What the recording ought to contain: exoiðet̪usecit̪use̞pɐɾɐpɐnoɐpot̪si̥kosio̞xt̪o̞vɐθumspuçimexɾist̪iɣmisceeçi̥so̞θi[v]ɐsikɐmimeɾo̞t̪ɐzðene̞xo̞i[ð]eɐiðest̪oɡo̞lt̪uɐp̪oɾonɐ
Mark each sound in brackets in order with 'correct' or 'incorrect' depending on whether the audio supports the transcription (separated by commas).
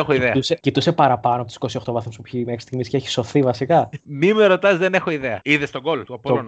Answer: correct, correct